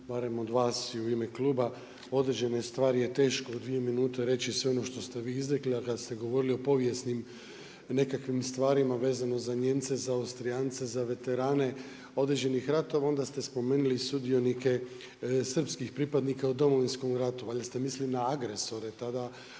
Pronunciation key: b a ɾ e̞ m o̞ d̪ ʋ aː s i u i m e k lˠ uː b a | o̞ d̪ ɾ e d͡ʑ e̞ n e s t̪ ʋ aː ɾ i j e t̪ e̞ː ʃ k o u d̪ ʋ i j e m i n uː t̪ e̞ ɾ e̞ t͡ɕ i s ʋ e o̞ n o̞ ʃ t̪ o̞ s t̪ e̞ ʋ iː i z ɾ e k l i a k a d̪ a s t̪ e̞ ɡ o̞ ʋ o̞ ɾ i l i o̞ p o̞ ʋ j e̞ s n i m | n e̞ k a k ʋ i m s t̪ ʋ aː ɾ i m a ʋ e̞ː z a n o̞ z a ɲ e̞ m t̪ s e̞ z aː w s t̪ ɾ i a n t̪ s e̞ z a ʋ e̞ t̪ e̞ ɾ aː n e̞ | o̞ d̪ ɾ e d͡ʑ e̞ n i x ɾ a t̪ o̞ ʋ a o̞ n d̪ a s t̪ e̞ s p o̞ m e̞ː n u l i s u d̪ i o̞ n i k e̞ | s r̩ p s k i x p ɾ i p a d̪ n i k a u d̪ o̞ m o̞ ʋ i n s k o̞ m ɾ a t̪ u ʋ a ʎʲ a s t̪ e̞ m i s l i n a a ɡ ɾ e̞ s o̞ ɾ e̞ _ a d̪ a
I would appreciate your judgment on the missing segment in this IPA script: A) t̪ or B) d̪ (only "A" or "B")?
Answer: A